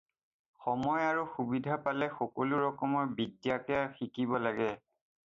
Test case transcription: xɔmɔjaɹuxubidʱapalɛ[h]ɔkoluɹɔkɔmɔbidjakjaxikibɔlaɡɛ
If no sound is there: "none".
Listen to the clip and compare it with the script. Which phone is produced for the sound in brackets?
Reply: x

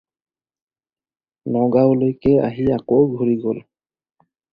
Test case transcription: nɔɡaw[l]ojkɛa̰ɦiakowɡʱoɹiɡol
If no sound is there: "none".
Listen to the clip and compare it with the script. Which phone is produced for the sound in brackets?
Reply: l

